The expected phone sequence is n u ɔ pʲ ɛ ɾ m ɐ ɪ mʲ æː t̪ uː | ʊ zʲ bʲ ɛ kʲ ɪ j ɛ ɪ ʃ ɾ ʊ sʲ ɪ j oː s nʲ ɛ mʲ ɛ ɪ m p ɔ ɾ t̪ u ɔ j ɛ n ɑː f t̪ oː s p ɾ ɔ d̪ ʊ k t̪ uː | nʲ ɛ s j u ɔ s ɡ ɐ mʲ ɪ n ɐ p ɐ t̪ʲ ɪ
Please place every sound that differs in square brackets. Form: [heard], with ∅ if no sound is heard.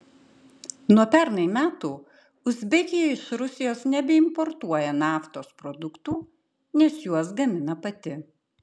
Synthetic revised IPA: n u ɔ pʲ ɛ ɾ [n] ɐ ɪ mʲ æː t̪ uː | ʊ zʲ bʲ ɛ kʲ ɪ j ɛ ɪ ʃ ɾ ʊ sʲ ɪ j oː s nʲ ɛ [bʲ] ɛ ɪ m p ɔ ɾ t̪ u ɔ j ɛ n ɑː f t̪ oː s p ɾ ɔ d̪ ʊ k t̪ uː | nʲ ɛ s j u ɔ s ɡ ɐ mʲ ɪ n ɐ p ɐ t̪ʲ ɪ